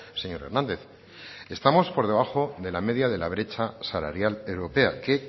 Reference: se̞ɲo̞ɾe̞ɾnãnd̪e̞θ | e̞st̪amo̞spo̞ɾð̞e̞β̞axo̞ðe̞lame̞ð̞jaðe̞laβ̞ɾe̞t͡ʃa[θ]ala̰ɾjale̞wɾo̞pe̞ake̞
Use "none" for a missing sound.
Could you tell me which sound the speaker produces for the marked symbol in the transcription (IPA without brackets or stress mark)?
s